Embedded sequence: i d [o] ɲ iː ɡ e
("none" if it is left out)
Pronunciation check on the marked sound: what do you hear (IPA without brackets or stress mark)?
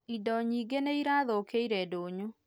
ɔ